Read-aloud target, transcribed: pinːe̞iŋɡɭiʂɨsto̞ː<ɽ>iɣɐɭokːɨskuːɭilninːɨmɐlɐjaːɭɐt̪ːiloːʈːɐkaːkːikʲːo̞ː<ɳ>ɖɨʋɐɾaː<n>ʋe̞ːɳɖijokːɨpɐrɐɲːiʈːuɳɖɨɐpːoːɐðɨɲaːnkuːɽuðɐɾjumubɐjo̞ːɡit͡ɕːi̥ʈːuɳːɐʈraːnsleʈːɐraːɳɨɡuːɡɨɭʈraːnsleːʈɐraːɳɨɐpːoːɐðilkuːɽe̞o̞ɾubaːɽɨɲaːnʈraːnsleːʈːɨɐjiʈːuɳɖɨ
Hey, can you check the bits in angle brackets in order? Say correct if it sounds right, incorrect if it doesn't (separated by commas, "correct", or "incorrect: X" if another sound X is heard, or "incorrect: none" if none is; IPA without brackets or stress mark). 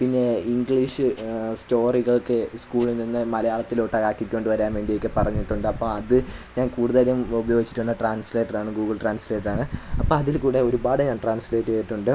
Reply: incorrect: r, correct, correct